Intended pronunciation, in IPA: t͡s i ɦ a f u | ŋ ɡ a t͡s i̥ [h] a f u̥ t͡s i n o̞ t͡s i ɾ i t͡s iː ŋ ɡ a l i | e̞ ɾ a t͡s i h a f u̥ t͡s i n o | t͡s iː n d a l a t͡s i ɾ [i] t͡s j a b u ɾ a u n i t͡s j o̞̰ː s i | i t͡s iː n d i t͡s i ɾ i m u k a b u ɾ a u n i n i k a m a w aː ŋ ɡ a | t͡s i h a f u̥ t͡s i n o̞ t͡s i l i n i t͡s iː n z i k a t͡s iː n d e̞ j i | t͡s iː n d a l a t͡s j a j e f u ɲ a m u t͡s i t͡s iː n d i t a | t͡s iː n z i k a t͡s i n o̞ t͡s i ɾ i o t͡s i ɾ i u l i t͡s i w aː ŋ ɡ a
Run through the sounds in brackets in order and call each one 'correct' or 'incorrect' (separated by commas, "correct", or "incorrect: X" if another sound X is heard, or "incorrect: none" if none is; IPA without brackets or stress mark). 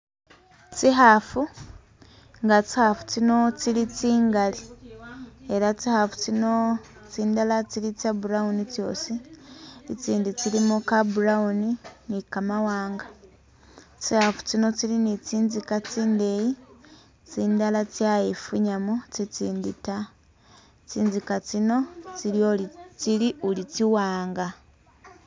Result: correct, correct